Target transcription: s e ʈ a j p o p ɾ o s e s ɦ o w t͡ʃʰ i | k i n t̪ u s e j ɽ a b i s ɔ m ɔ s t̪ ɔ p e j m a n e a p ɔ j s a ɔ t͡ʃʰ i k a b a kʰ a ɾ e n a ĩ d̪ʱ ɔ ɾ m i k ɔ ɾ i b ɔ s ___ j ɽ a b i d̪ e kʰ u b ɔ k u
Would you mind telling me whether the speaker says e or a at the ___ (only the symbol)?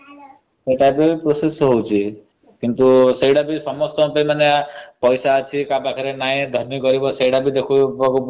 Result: e